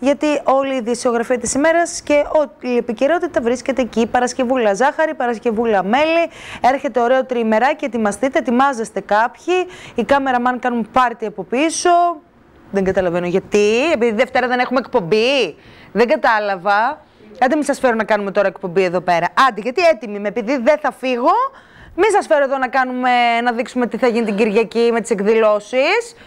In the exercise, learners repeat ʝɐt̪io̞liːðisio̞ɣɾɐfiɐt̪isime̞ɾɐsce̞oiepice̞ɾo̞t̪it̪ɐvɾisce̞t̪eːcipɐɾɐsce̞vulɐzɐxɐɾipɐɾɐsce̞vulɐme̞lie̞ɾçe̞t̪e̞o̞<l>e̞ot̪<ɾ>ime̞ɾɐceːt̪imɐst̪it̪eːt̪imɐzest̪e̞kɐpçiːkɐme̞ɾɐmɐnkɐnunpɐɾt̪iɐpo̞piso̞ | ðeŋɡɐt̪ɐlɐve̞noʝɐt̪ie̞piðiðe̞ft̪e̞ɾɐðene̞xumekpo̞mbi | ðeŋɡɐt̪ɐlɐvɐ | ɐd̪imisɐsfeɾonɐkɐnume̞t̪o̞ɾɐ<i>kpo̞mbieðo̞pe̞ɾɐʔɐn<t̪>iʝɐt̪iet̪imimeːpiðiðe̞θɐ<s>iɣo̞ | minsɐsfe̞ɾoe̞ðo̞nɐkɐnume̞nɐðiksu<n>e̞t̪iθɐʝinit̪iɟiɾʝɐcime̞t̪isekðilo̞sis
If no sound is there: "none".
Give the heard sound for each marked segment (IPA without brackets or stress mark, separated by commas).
ɾ, ɾ, e, d̪, f, m